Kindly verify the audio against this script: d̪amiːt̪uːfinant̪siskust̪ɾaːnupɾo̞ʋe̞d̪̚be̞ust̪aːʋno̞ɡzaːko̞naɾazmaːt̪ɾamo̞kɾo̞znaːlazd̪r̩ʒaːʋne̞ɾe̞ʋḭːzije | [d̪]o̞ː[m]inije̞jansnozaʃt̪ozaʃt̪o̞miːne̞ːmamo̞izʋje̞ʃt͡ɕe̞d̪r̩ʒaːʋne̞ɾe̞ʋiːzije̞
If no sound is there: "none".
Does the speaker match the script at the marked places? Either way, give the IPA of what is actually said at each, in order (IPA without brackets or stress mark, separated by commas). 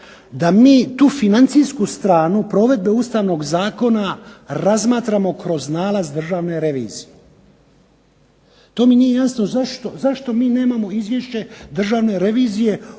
t̪, m